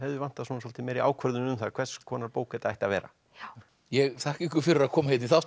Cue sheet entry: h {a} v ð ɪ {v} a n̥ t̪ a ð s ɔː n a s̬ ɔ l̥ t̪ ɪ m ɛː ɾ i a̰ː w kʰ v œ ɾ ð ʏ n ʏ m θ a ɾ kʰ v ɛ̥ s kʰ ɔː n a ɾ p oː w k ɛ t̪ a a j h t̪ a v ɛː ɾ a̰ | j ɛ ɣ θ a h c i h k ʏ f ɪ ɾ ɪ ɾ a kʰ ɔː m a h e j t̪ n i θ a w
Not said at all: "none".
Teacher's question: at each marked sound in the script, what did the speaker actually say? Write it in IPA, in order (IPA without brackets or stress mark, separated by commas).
ɛ, v